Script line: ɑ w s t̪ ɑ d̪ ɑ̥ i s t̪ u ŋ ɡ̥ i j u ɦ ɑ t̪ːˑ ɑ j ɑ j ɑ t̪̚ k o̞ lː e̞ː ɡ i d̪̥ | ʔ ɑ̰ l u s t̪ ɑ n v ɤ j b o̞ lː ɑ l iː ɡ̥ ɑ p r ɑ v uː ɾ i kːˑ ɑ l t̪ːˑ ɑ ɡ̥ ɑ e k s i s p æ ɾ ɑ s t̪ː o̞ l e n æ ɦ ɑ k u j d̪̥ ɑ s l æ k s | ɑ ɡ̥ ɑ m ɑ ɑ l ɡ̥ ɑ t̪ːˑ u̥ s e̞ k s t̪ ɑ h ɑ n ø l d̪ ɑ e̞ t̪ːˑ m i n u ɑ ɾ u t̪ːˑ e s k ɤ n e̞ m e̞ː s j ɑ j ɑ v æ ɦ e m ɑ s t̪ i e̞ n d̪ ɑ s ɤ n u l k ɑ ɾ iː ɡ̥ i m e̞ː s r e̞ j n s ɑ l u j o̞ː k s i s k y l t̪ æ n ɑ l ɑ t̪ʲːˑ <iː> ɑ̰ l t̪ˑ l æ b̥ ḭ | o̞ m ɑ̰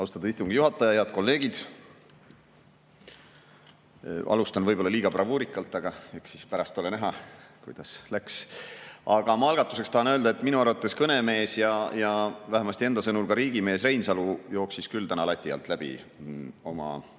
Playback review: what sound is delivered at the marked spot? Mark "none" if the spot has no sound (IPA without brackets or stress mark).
i